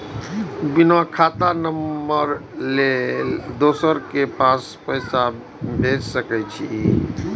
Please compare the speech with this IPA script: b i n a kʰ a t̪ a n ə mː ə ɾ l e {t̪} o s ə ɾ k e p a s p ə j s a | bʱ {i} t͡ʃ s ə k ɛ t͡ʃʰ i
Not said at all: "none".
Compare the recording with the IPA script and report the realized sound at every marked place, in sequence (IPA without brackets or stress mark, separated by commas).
d̪, e